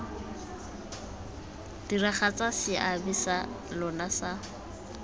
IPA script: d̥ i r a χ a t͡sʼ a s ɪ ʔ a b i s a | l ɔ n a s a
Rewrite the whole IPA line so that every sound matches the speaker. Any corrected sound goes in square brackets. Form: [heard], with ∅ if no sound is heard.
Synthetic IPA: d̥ i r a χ a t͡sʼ a s ɪ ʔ a b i s a | l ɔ n a s a